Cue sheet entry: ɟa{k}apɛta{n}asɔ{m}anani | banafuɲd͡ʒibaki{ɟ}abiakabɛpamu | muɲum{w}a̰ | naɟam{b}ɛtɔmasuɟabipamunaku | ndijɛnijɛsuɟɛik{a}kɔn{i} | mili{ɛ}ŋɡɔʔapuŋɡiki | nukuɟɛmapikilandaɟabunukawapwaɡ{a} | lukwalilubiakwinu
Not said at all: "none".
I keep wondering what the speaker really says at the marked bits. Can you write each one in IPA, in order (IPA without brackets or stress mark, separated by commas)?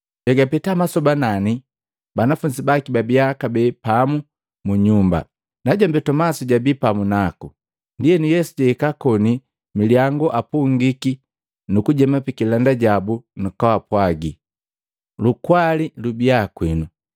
ɡ, m, b, b, b, b, a, i, a, i